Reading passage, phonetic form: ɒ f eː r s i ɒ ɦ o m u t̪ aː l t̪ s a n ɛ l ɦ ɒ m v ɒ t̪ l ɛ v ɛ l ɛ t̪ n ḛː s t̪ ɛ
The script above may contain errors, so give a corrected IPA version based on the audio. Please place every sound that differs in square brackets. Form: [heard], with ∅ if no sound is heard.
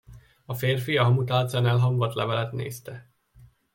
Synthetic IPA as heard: ɒ f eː r [f] i ɒ ɦ [ɒ] m u t̪ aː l t̪ s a n ɛ l ɦ ɒ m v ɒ t̪ l ɛ v ɛ l ɛ t̪ n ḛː s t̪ ɛ